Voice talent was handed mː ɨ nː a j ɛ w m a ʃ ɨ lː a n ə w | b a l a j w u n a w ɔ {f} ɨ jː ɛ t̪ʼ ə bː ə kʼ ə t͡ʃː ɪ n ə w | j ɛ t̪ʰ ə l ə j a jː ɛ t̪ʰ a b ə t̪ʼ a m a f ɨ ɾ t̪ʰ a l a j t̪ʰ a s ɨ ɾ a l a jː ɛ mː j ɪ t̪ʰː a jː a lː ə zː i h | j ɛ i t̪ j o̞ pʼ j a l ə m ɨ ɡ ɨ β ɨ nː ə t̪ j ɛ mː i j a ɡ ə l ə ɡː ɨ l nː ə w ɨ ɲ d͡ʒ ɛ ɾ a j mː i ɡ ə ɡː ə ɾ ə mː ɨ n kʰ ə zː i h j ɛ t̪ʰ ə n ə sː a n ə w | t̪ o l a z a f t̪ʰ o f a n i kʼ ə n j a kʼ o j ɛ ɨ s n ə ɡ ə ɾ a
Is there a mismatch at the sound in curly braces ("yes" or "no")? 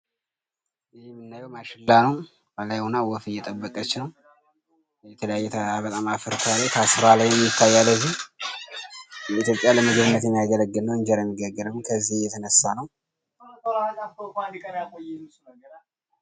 no